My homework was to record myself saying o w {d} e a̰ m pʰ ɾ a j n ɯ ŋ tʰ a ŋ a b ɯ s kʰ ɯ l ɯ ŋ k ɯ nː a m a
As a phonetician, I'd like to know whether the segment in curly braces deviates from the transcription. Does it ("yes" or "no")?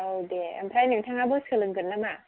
no